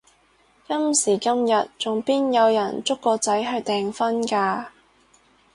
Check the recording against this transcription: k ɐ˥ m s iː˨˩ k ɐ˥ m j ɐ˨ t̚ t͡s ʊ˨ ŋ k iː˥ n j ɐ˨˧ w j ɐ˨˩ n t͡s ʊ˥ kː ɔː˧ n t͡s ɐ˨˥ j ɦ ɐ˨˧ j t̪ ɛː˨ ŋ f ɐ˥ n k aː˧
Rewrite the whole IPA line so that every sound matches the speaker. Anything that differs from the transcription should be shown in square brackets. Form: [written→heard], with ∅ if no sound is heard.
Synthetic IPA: k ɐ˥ m s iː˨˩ k ɐ˥ m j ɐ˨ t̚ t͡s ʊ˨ ŋ [k→p] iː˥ n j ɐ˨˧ w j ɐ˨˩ n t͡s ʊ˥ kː ɔː˧ [n→∅] t͡s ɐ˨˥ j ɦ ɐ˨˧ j t̪ ɛː˨ ŋ f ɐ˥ n k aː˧